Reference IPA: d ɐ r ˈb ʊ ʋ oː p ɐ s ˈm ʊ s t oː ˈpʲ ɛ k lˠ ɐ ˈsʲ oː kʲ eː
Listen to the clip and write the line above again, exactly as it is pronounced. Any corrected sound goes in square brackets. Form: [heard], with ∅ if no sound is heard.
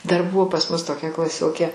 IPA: d ɐ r ˈb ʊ ʋ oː p ɐ s ˈm ʊ s t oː [ˈkʲ] ɛ k lˠ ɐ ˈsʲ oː kʲ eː